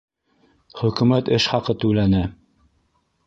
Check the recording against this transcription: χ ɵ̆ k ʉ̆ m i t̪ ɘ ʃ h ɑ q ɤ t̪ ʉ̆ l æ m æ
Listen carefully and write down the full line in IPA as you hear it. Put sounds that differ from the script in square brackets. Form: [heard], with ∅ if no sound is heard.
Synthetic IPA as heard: χ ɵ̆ k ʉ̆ m [æ] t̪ ɘ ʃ [χ] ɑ q ɤ t̪ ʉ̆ l æ [n] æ